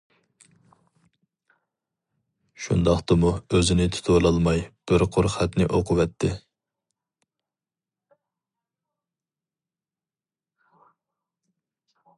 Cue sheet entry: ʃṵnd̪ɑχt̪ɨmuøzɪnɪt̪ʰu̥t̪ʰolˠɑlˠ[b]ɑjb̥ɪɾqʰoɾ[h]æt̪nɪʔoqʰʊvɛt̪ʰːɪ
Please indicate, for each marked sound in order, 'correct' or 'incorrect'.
incorrect, incorrect

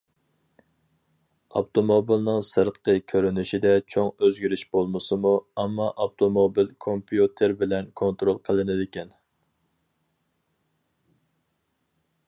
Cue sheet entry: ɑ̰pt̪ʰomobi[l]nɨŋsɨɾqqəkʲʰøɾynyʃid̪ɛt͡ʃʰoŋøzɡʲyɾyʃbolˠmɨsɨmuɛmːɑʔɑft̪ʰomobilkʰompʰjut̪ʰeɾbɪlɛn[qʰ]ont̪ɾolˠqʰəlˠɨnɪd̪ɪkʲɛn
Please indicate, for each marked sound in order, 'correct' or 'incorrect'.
correct, incorrect

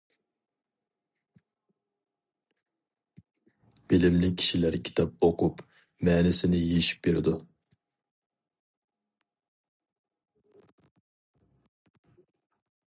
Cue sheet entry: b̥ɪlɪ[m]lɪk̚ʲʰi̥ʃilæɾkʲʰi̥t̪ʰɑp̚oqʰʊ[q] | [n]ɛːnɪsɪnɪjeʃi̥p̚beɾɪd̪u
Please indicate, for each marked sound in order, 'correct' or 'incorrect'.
correct, incorrect, incorrect

